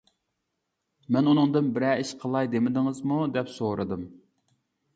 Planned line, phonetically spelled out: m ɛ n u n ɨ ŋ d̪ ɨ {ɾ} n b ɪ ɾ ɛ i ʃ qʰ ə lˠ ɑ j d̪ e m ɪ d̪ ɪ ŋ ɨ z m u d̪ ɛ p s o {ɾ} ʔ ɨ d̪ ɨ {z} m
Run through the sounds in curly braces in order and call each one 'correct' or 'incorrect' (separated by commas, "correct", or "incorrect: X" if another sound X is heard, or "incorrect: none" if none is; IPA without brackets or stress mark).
incorrect: none, correct, incorrect: none